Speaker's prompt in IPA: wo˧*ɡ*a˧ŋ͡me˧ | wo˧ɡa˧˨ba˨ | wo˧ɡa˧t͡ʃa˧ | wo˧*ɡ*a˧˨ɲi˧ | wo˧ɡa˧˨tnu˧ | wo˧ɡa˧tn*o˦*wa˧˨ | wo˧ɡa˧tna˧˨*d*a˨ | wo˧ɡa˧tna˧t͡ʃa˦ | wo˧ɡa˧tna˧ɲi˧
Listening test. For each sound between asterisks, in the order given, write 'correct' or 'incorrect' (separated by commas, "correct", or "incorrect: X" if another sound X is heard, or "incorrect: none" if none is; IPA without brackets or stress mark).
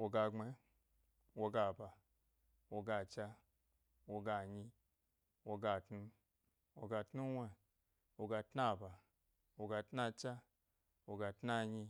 correct, correct, incorrect: u˦, incorrect: b